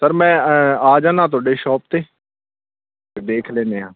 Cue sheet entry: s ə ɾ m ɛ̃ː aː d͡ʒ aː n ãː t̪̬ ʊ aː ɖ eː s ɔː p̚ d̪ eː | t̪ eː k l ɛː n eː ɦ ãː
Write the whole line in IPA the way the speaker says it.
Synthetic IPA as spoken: s ə ɾ m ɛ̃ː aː d͡ʒ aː n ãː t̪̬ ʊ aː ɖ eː ʃ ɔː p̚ t̪ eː | d̪ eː kʰ l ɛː n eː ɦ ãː